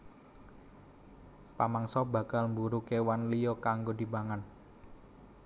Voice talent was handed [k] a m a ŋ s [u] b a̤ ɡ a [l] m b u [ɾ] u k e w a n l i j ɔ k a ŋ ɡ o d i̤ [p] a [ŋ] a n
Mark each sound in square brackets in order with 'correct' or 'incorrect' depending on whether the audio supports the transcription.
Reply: incorrect: p, incorrect: ɔ, correct, correct, incorrect: b, correct

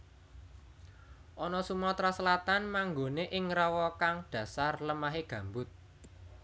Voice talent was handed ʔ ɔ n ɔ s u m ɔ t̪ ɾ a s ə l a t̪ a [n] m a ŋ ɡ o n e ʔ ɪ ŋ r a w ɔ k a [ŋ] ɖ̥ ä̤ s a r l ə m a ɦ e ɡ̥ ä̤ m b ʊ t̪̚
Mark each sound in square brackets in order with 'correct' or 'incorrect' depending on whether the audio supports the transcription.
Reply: correct, correct

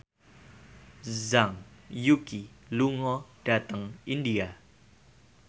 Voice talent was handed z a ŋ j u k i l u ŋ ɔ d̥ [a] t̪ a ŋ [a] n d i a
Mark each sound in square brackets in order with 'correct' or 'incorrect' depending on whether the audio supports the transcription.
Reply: correct, incorrect: i

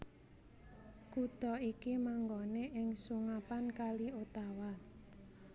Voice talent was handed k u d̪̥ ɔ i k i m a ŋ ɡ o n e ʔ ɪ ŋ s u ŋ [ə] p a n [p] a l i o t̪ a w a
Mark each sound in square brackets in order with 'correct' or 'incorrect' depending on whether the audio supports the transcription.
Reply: incorrect: a, incorrect: k

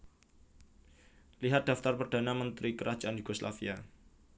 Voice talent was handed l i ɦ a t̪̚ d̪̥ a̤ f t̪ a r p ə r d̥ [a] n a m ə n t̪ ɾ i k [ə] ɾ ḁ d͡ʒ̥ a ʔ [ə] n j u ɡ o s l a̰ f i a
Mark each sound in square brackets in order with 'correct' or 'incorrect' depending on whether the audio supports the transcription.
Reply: correct, correct, incorrect: a

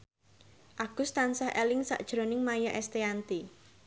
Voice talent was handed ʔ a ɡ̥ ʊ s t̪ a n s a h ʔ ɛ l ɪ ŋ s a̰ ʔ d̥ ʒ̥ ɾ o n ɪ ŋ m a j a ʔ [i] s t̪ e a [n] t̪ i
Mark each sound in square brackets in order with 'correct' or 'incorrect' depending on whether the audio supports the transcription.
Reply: incorrect: ɛ, correct

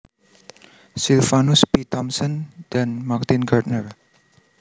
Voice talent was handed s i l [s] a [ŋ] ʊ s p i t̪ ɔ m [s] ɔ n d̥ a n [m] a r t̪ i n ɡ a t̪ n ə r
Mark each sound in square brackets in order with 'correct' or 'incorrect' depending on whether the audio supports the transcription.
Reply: incorrect: f, incorrect: n, correct, correct

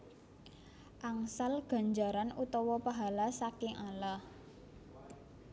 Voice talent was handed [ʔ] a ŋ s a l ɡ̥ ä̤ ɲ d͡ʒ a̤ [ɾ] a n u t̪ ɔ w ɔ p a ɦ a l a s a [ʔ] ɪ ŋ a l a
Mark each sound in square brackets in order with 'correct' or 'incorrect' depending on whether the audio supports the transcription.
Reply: correct, correct, incorrect: k

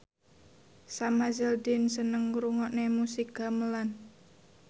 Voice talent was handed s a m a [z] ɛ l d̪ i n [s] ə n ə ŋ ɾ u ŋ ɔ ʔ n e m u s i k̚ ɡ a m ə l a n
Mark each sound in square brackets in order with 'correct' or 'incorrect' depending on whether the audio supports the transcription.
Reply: correct, correct

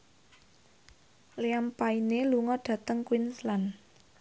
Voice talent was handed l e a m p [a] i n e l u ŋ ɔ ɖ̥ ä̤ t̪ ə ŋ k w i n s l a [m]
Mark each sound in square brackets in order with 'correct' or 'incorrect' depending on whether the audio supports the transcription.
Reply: correct, incorrect: n

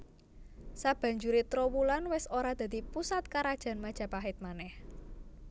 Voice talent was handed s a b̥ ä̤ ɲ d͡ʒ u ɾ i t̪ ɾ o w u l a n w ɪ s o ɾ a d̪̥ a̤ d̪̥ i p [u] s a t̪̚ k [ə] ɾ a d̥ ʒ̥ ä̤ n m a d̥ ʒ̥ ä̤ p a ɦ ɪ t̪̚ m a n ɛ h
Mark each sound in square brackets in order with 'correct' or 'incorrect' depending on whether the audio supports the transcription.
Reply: correct, incorrect: a

